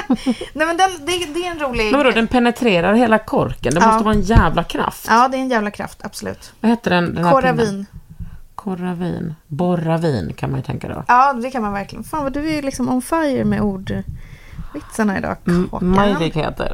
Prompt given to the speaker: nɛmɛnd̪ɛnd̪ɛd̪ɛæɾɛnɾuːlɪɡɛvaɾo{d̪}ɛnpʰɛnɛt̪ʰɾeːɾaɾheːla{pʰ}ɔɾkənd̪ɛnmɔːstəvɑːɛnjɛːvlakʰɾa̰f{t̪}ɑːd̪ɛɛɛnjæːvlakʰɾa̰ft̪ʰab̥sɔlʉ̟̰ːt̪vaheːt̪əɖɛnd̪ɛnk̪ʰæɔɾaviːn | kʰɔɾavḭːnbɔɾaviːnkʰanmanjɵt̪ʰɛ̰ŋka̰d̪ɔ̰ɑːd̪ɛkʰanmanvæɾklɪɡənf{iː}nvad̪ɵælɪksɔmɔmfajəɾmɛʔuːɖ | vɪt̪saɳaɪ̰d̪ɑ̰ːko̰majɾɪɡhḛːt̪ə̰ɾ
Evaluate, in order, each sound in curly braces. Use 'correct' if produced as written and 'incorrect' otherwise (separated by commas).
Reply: correct, incorrect, correct, incorrect